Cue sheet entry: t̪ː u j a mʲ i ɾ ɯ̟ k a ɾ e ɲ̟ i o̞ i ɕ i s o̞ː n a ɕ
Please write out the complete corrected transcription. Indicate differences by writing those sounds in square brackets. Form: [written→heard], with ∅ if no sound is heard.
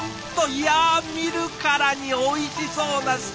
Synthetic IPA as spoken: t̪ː [u→o] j a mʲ i ɾ ɯ̟ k a ɾ [e→a] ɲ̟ i o̞ i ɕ i s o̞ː n a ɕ